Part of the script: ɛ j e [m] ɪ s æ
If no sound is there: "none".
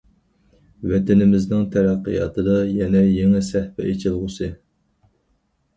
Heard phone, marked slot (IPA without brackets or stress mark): ŋ